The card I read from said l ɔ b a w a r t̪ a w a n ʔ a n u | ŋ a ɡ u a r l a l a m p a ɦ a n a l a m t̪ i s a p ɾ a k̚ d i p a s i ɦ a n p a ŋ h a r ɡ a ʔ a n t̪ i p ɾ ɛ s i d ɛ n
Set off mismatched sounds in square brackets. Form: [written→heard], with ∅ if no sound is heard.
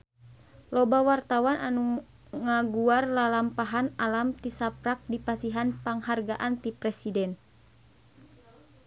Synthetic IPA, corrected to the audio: l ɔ b a w a r t̪ a w a n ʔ a n u | ŋ a ɡ u a r l a l a m p a ɦ a n a l a m t̪ i s a p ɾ a k̚ d i p a s i ɦ a n p a ŋ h a r ɡ a ʔ a n t̪ i p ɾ ɛ s i d ɛ n